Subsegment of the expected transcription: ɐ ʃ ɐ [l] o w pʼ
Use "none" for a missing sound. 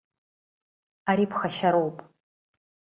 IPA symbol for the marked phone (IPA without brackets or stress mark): ɾ